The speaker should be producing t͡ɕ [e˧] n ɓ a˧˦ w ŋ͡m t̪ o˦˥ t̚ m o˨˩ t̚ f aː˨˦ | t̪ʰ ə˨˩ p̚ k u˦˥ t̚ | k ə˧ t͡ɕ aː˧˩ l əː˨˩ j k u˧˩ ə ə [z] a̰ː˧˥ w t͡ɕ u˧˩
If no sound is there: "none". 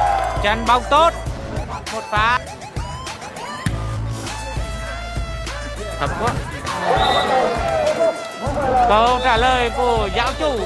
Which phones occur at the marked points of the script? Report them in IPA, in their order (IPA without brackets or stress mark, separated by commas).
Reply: a˧, z